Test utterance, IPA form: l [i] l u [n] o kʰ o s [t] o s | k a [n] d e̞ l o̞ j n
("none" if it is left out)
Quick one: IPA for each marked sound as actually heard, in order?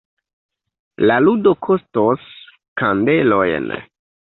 a, d, t, n

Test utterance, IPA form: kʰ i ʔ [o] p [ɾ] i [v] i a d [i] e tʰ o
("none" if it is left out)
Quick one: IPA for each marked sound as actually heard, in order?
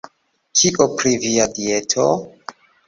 o, ɾ, v, i

